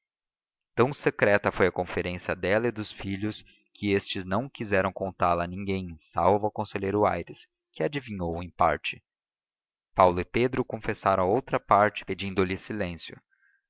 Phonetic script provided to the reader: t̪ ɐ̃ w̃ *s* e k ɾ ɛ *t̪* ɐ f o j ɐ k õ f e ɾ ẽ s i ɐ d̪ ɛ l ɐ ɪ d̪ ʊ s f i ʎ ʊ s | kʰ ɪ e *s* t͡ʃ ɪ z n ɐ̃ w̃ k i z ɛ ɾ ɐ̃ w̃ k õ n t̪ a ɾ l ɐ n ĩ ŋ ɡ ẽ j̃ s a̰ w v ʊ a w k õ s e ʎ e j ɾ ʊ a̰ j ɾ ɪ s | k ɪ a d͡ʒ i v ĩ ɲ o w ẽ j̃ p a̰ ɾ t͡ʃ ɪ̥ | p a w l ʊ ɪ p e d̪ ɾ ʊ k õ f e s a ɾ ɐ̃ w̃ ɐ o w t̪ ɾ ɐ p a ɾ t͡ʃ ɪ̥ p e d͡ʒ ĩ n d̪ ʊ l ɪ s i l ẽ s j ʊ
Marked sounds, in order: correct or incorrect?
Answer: correct, correct, correct

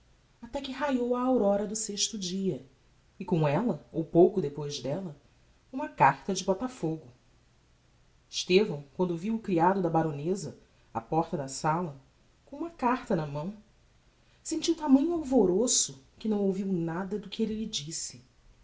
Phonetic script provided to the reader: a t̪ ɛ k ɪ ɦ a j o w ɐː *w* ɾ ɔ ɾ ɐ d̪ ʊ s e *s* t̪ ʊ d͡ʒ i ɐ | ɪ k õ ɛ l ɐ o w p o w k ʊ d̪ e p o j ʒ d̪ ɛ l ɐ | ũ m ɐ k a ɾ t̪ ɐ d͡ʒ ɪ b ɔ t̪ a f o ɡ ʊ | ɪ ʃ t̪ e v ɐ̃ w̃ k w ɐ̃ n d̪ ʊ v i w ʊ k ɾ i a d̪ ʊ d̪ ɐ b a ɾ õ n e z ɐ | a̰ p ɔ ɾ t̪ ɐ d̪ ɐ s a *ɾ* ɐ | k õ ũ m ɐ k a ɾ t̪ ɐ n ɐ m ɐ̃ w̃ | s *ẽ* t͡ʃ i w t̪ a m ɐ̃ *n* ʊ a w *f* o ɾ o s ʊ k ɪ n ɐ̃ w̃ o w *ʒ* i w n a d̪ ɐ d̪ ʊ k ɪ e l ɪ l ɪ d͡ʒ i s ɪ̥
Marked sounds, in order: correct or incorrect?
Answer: correct, incorrect, incorrect, correct, incorrect, incorrect, incorrect

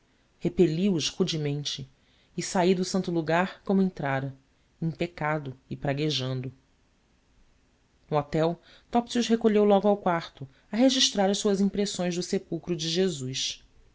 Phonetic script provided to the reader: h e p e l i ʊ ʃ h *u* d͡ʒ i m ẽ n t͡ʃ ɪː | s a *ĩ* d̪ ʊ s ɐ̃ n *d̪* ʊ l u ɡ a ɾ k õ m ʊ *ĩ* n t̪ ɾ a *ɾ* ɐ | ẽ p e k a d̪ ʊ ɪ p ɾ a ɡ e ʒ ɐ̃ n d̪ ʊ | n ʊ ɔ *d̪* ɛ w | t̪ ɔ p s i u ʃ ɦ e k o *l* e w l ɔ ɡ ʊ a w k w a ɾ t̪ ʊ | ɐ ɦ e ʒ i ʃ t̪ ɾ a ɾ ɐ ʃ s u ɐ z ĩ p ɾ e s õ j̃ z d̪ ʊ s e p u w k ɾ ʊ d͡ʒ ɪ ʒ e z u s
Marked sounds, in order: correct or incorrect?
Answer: correct, incorrect, incorrect, incorrect, correct, incorrect, incorrect

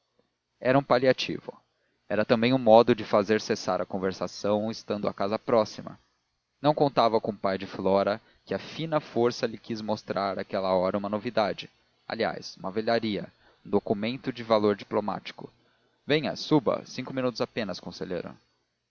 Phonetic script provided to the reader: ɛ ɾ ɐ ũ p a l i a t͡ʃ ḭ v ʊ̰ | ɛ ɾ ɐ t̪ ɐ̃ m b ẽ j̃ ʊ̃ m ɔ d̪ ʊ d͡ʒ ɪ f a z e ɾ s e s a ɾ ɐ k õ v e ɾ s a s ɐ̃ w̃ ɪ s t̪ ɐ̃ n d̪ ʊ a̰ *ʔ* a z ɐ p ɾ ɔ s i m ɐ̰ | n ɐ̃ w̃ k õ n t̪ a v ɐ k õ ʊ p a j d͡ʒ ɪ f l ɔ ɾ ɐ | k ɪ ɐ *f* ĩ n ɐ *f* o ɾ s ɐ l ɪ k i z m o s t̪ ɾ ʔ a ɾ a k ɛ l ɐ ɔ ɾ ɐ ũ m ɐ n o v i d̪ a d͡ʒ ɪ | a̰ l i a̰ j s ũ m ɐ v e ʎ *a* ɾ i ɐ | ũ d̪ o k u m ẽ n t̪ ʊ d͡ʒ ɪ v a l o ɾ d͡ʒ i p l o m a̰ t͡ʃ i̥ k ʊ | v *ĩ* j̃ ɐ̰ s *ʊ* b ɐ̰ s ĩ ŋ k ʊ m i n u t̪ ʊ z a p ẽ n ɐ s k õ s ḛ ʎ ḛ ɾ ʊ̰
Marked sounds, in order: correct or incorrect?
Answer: incorrect, correct, correct, correct, incorrect, incorrect

